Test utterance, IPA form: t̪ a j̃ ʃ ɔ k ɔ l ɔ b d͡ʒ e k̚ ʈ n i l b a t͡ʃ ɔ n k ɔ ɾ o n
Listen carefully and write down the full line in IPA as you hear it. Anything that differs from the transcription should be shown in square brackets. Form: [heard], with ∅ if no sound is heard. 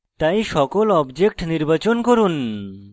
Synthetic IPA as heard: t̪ a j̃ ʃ ɔ k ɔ l ɔ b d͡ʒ e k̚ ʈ n i [ɾ] b a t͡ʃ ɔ n k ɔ ɾ [u] n